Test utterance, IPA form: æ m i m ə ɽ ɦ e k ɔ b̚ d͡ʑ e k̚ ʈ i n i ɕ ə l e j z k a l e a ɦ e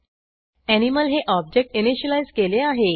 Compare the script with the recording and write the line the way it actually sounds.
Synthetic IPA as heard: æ n i m ə l ɦ e ʔ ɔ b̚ d͡ʑ e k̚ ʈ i n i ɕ ə l a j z k e l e a ɦ e